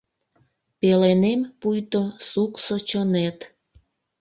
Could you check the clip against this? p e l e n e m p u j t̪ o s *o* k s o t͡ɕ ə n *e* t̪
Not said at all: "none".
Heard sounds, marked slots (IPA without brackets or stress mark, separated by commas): u, e